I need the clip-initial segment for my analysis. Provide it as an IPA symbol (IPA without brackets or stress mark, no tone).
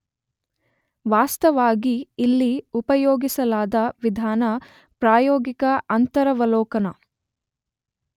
ʋ